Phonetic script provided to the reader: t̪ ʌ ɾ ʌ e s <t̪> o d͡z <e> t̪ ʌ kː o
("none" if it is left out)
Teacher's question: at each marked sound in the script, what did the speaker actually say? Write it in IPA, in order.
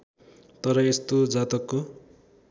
t̪, a

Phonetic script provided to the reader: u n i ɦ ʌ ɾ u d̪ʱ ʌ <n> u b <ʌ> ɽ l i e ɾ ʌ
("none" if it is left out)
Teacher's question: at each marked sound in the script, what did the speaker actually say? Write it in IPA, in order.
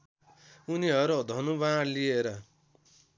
n, a

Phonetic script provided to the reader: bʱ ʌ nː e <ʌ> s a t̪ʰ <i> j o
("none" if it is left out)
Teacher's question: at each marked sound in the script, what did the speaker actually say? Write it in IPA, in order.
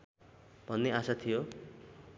a, i

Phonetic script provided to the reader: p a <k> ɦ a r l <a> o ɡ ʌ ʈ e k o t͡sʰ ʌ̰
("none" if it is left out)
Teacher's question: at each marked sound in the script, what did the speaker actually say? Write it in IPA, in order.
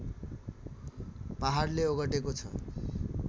none, e

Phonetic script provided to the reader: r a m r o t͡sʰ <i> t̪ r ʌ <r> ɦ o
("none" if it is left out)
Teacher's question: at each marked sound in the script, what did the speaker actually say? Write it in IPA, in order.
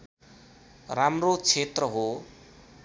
e, none

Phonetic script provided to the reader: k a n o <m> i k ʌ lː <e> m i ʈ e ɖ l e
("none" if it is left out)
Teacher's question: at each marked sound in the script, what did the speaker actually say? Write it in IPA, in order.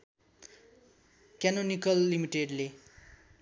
n, i

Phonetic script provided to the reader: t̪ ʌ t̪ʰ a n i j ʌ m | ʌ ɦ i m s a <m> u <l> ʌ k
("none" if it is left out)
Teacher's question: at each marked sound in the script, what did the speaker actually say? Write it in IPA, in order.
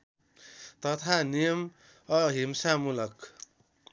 m, l

